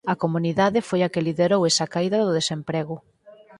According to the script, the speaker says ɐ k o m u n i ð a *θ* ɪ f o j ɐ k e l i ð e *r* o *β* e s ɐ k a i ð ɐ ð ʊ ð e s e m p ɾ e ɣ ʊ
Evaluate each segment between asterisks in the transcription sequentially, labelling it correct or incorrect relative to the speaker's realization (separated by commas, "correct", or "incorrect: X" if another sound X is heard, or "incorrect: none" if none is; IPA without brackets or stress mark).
incorrect: ð, incorrect: ɾ, incorrect: w